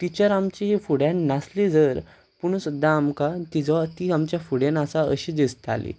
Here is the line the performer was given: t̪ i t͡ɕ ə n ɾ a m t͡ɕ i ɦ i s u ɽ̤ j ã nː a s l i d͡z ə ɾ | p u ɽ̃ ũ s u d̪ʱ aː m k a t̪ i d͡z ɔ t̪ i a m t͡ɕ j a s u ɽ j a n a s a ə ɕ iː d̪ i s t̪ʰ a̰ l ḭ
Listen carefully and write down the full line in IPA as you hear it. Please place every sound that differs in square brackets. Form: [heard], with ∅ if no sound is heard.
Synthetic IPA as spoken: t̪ i t͡ɕ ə [∅] ɾ a m t͡ɕ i ɦ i [f] u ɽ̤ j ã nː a s l i d͡z ə ɾ | p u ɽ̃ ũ s u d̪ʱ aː m k a t̪ i d͡z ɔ t̪ i a m t͡ɕ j a [f] u ɽ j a n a s a ə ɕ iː d̪ i s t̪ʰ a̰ l ḭ